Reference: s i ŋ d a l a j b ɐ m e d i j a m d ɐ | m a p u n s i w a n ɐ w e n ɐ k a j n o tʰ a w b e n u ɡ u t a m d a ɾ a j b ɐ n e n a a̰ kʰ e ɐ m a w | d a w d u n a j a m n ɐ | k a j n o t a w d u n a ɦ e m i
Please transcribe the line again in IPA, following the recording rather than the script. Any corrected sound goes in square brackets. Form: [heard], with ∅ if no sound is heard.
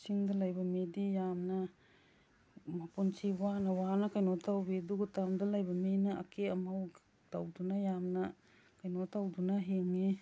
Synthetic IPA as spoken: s i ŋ d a l a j b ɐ m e d i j a m [n] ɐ | m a p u n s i w a n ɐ w [a] n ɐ k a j n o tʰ a w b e [d] u ɡ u t a m d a [l] a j b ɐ [m] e n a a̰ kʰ e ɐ m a w | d a w d u n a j a m n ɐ | k a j n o t a w d u n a ɦ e [ŋ] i